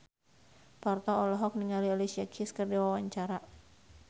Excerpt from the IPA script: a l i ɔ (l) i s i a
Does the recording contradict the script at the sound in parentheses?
no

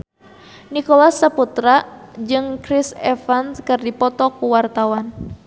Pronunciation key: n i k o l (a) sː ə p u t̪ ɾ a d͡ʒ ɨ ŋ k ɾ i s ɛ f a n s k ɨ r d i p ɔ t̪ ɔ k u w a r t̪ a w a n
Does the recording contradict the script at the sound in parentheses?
no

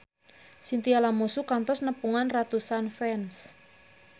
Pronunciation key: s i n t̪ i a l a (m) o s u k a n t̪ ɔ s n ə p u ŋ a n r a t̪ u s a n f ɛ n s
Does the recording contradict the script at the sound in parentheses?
no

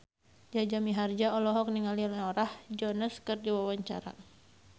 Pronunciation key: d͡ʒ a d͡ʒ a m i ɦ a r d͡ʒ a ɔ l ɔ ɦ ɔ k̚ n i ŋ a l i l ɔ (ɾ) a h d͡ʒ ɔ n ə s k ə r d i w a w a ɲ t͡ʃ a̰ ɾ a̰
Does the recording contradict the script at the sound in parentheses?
no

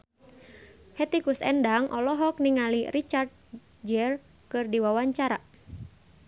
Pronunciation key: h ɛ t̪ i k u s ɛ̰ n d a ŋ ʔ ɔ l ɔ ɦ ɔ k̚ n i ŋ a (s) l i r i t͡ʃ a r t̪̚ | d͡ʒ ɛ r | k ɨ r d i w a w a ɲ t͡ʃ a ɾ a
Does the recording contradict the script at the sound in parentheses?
yes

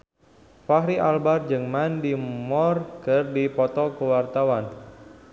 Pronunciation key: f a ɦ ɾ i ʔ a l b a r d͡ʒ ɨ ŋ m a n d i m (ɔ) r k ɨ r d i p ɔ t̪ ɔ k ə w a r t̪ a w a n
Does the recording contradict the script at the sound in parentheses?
no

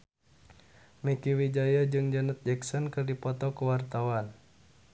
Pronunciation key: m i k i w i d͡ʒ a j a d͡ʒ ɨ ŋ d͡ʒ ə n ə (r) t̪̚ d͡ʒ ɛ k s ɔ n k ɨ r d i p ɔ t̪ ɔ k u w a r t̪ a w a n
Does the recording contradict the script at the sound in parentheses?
yes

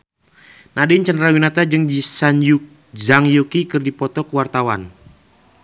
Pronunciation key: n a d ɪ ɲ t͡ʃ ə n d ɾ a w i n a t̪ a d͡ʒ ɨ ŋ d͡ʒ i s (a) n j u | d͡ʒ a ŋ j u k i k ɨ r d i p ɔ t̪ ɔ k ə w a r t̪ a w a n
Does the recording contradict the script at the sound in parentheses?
no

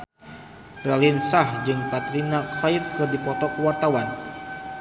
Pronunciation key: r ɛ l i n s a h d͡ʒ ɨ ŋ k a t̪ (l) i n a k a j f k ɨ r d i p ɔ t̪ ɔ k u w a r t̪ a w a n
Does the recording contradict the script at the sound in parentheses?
yes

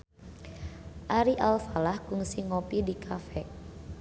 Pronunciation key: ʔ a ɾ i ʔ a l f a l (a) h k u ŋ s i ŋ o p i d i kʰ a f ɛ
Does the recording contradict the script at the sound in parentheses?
no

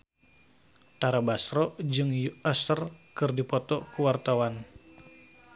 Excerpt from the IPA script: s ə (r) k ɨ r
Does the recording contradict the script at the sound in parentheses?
no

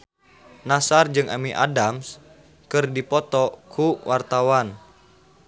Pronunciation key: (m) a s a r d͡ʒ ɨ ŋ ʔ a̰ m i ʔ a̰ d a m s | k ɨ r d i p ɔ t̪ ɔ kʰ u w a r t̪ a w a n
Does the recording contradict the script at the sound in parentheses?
yes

